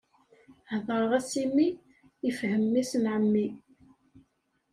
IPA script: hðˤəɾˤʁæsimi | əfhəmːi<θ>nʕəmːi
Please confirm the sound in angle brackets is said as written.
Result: no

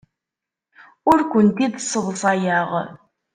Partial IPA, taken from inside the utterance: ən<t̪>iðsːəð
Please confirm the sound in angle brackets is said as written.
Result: yes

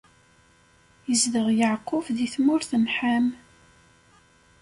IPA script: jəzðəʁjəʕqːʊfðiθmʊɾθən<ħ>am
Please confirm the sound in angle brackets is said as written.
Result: yes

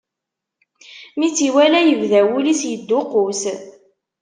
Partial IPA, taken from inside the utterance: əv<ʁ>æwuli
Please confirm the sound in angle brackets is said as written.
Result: no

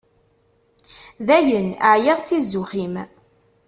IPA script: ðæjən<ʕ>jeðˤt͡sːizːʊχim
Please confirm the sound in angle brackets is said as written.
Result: yes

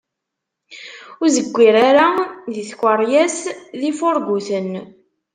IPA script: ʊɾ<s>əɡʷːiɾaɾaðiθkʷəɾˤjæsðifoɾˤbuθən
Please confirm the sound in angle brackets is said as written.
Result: no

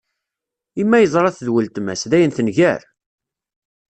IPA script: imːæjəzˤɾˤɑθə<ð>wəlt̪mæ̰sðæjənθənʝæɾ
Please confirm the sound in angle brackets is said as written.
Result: yes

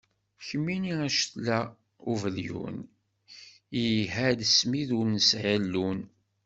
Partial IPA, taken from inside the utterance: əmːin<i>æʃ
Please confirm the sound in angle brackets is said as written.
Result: yes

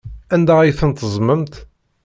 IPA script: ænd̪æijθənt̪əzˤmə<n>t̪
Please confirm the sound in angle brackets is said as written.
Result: no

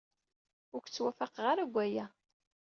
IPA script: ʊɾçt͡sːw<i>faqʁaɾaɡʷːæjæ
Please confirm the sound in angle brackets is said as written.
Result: no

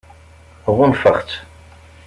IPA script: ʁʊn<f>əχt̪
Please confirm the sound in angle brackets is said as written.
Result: yes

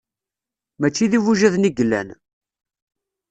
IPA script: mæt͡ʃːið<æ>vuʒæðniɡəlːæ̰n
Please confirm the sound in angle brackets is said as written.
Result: no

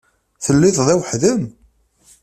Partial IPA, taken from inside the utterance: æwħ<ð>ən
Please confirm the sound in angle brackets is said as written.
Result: yes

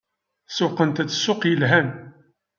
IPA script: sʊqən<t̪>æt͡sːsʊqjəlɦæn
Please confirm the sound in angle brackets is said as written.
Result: yes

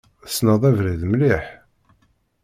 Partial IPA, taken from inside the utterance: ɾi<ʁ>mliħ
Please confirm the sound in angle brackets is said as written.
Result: no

